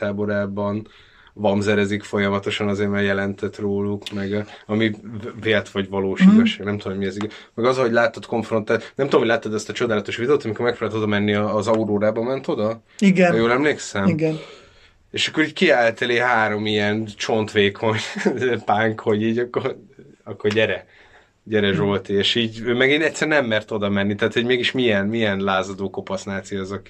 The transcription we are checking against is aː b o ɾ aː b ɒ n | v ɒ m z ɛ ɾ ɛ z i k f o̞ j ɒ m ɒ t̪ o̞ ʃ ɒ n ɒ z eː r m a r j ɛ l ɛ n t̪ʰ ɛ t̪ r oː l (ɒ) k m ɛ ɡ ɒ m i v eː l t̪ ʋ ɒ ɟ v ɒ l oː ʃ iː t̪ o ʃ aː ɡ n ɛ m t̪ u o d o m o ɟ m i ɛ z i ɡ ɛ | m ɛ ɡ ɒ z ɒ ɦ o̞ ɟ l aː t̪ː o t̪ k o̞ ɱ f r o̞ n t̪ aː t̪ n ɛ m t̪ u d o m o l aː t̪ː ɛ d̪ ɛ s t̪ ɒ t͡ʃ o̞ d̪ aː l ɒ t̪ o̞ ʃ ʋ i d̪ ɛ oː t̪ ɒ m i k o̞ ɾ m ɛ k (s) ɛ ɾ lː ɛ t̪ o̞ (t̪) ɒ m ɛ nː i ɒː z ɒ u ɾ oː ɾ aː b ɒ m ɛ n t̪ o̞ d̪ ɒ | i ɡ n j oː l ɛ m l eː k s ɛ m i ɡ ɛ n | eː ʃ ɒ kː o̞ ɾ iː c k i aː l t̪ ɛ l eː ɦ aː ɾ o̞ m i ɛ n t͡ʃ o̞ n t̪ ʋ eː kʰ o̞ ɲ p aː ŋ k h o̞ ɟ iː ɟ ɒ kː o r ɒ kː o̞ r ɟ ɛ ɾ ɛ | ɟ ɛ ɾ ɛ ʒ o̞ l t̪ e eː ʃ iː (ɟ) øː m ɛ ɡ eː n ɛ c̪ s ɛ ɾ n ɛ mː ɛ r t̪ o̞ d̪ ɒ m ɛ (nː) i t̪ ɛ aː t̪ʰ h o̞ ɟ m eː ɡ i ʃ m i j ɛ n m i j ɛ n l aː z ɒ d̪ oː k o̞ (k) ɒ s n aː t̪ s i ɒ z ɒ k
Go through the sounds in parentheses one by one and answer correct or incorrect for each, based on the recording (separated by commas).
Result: incorrect, incorrect, incorrect, correct, correct, incorrect